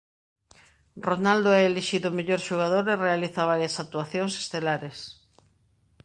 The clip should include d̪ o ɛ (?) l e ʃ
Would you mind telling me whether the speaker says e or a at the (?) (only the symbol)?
e